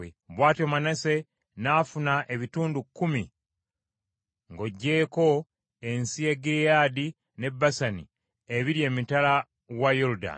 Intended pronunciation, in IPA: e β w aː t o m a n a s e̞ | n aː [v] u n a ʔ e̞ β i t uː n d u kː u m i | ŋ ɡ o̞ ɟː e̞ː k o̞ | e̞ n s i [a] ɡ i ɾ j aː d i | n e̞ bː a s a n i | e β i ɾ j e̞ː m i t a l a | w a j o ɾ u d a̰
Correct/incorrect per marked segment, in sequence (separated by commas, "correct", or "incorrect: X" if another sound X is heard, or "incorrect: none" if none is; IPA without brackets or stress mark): incorrect: f, incorrect: e